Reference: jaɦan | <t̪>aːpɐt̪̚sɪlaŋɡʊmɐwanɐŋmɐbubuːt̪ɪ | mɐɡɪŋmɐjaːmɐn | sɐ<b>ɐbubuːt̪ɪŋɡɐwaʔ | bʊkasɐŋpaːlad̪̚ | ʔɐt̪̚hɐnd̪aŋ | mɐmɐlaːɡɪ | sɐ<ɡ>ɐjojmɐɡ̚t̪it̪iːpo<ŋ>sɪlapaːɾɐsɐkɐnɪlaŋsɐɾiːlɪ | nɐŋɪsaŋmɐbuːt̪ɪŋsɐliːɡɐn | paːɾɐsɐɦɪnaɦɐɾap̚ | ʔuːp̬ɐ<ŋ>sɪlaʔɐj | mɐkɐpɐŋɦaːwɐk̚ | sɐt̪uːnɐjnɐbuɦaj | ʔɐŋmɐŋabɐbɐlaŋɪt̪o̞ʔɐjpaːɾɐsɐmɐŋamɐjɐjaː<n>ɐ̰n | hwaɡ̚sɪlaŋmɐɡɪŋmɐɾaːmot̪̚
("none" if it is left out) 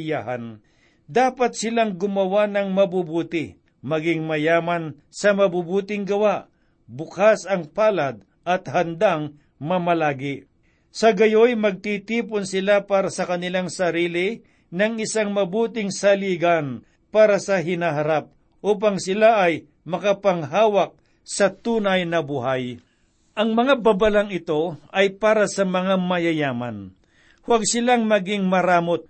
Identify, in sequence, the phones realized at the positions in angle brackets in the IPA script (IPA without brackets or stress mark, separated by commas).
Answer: d̪, m, ɡ, n, ŋ, m